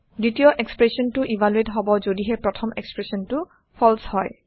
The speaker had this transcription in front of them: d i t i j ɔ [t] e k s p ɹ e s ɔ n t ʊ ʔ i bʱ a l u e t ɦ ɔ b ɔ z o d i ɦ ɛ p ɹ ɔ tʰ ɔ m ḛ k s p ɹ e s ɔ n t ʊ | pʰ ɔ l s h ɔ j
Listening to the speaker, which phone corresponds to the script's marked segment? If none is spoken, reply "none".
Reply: ʔ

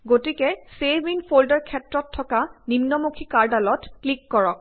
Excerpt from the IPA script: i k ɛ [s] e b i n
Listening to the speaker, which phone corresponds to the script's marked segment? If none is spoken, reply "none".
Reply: s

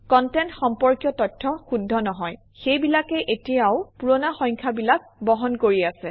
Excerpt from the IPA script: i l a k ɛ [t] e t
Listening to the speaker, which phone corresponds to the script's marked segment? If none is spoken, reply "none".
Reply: ʔ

